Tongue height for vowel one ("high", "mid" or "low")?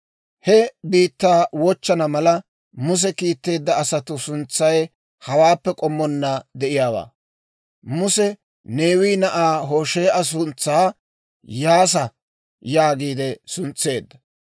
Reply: mid